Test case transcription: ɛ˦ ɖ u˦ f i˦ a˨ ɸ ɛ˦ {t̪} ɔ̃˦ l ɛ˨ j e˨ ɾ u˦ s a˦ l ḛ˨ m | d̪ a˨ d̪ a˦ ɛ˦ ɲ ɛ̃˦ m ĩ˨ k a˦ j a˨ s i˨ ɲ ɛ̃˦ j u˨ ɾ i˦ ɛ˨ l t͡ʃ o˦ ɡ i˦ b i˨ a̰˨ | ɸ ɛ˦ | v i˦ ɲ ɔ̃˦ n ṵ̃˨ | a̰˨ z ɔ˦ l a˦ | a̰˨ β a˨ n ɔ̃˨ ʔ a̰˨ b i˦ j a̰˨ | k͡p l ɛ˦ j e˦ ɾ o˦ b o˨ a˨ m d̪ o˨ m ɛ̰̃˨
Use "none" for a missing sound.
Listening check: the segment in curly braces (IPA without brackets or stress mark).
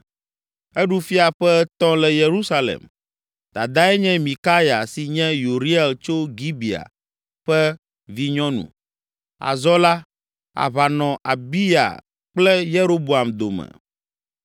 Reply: t̪